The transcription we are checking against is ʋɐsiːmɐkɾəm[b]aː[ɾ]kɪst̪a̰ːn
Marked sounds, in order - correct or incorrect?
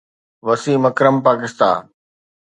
incorrect, incorrect

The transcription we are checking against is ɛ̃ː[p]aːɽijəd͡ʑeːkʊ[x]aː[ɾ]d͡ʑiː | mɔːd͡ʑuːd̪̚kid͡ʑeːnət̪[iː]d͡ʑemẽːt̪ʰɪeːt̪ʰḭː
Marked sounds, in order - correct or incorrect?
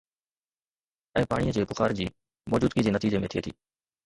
correct, correct, correct, correct

